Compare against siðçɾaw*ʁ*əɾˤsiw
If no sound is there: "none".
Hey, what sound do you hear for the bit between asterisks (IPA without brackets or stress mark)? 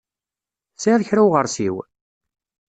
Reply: ʁ